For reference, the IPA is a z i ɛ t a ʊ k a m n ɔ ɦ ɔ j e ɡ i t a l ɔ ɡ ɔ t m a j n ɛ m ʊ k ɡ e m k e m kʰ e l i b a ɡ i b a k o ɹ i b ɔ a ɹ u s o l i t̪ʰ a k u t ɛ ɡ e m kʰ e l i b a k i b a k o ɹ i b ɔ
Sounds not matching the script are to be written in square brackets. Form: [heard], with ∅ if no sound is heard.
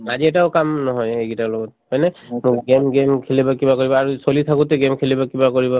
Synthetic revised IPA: a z i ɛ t a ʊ k a m n ɔ ɦ ɔ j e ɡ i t a l ɔ ɡ ɔ t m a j n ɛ m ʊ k ɡ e m [ɡ] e m kʰ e l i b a [k] i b a k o ɹ i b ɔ a ɹ u s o l i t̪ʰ a k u t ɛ ɡ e m kʰ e l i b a k i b a k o ɹ i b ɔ